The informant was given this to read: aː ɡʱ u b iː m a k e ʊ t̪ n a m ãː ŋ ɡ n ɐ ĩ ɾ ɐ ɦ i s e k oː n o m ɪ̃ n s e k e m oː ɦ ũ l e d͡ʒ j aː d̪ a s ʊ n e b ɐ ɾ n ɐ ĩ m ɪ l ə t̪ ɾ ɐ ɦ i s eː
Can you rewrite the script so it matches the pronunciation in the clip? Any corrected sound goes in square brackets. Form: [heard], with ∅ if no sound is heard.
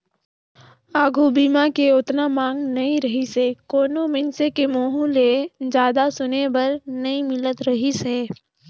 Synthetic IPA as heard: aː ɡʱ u b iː m a k e ʊ t̪ n a m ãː ŋ ɡ n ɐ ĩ ɾ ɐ ɦ i s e k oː n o m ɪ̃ n s e k e m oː ɦ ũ l e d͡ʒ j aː d̪ a s ʊ n e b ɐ ɾ n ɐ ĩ m ɪ l ə t̪ ɾ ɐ ɦ i s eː